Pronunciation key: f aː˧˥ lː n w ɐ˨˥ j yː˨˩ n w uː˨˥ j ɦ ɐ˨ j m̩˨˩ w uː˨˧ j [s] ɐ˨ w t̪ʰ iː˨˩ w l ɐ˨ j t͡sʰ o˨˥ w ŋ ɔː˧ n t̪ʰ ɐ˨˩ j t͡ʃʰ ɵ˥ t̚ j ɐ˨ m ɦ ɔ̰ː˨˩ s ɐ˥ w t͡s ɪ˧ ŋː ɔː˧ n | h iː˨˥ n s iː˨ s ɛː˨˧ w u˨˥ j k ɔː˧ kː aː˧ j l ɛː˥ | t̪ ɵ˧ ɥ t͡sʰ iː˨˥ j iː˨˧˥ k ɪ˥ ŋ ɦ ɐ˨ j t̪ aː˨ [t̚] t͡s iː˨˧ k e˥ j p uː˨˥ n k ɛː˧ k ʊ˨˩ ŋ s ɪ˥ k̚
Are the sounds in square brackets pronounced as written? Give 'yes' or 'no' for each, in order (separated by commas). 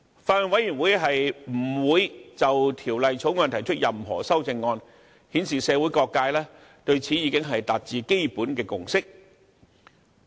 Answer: no, yes